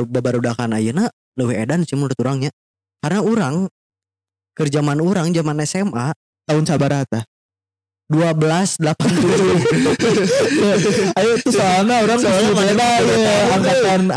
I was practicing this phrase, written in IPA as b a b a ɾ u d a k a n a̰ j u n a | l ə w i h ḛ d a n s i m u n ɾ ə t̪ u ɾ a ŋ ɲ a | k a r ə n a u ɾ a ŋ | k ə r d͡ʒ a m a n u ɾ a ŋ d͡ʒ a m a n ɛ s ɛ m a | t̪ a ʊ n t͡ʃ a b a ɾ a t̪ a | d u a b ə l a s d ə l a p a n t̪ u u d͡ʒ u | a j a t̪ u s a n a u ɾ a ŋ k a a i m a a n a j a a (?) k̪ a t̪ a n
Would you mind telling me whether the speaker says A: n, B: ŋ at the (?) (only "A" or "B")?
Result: B